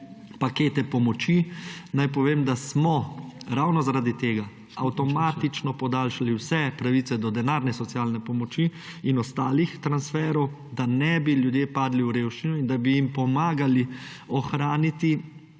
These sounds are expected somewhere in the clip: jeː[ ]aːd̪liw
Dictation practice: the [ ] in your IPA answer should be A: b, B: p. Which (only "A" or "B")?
B